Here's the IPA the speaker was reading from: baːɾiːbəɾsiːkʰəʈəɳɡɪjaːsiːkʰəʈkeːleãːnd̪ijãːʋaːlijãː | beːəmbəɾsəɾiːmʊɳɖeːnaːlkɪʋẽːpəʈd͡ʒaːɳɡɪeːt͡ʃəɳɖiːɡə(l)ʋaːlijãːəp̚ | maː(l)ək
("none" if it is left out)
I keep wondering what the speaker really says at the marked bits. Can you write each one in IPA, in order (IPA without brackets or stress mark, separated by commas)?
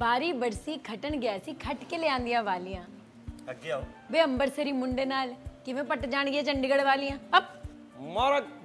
ɽ, ɾ